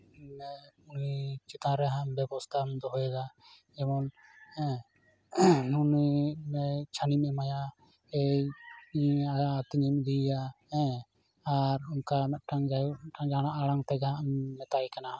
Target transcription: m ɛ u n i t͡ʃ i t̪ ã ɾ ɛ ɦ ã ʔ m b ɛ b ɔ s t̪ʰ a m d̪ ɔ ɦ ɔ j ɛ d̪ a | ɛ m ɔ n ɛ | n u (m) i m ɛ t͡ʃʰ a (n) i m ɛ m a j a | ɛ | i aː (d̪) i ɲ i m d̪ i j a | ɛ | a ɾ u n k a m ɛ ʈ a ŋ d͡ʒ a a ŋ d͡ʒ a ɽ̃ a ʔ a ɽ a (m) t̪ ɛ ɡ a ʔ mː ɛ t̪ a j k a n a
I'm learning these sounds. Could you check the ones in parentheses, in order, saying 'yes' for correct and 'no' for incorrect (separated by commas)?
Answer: no, yes, no, no